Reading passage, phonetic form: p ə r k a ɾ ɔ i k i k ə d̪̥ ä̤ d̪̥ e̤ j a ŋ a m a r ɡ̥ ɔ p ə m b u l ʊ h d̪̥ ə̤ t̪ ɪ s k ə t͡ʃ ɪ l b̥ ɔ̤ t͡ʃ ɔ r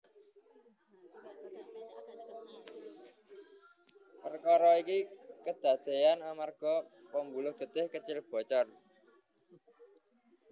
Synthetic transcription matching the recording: p ə r k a ɾ ɔ i k i k ə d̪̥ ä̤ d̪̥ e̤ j a n a m a r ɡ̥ ɔ p ə m b u l ʊ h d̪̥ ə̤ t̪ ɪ h k ə t͡ʃ ɪ l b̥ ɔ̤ t͡ʃ ɔ r

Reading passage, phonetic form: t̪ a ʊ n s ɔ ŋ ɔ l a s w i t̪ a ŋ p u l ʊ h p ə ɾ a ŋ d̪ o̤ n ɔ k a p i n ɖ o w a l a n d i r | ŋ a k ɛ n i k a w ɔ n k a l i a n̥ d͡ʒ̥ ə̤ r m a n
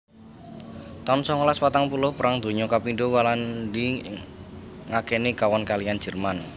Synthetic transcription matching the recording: t̪ a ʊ n s ɔ ŋ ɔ l a s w a t̪ a ŋ p u l ʊ h p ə ɾ a ŋ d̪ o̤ ɲ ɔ k a p i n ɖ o w a l a n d i | ŋ a k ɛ n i k a w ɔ n k a l i a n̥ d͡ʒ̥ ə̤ r m a n

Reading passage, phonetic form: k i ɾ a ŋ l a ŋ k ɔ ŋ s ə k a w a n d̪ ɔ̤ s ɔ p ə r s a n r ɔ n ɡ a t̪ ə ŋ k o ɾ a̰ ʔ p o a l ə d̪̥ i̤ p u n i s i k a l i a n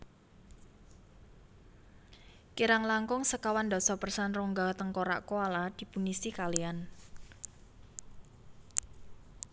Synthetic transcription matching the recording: k i ɾ a ŋ l a ŋ k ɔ ŋ s ə k a w a n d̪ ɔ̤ s ɔ p ə r s a n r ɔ ŋ ɡ a t̪ ə ŋ k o ɾ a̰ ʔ k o a l a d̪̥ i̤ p u n i s i k a l i a n

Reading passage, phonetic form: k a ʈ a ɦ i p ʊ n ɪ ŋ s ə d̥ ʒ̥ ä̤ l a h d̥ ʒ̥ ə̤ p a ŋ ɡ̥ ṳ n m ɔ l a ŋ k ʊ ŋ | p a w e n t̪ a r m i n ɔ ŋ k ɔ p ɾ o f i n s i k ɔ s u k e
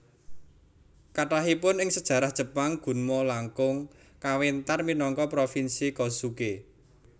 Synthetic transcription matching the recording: k a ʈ a ɦ i p ʊ n ɪ ŋ s ə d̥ ʒ̥ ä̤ ɾ a h d̥ ʒ̥ ə̤ p a ŋ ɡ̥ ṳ n m ɔ l a ŋ k ʊ ŋ | k a w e n t̪ a r m i n ɔ ŋ k ɔ p ɾ o f i n s i k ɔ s u k e

